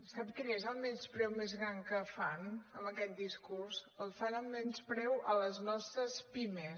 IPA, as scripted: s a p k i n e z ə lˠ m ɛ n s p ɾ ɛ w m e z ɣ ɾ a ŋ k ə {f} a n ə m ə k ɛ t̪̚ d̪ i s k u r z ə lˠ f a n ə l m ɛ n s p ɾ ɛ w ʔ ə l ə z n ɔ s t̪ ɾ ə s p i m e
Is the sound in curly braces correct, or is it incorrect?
correct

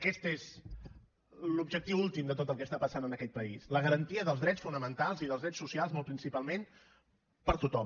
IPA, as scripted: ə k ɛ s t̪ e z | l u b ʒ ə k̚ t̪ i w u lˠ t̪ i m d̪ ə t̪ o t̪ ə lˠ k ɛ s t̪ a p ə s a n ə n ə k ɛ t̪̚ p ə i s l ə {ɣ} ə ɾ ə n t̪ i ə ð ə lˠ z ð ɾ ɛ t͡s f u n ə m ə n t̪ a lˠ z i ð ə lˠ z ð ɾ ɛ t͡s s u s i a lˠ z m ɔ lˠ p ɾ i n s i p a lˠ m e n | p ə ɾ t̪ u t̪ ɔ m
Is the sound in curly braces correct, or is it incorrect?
correct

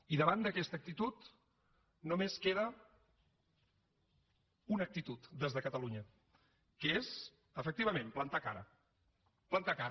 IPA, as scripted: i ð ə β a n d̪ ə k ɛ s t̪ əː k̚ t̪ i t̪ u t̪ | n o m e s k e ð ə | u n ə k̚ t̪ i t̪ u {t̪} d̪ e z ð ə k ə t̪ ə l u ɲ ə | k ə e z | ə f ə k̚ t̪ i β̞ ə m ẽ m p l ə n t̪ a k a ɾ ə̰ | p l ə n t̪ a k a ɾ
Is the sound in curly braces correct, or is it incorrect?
correct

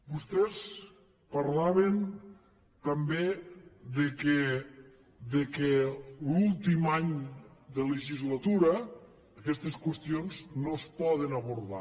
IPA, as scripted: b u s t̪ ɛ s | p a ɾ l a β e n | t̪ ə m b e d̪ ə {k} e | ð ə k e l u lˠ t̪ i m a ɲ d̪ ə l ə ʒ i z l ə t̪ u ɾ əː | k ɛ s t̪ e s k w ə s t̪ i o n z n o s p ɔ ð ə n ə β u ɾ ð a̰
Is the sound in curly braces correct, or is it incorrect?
correct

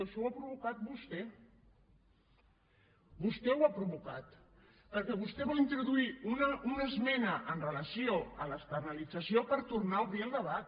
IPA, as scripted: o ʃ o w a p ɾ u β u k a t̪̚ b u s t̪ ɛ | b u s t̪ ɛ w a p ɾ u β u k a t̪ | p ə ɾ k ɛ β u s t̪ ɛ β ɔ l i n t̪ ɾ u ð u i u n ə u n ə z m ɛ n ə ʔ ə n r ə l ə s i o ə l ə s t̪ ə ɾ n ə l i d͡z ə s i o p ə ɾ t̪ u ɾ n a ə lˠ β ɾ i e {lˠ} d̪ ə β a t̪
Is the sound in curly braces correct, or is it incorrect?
correct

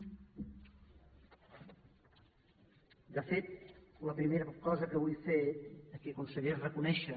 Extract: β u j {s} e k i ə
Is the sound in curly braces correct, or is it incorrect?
incorrect: f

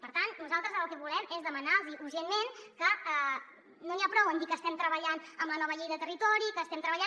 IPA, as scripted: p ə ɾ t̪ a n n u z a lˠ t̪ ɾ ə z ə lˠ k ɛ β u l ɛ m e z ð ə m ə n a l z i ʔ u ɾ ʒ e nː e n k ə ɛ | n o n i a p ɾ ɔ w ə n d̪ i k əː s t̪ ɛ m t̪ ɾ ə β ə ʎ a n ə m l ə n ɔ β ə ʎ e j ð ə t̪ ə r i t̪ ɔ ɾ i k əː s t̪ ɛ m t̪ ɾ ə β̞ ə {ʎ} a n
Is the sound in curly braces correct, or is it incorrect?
correct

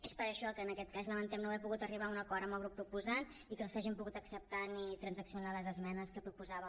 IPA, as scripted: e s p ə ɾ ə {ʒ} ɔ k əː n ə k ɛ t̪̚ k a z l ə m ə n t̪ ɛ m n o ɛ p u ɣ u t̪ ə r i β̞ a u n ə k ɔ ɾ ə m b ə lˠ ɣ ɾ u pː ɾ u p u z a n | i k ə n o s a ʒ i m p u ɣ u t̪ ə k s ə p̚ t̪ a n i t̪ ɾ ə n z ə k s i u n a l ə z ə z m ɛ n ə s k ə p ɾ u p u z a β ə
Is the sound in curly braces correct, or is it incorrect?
incorrect: ʃ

